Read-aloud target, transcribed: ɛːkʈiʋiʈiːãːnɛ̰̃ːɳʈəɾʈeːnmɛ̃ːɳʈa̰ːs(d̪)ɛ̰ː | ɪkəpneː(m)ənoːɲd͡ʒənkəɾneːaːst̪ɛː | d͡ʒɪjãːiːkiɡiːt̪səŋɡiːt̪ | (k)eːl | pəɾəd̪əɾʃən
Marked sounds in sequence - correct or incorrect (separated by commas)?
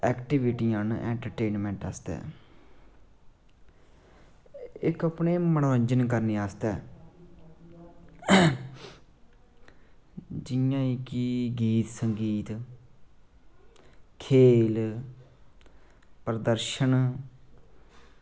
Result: incorrect, correct, incorrect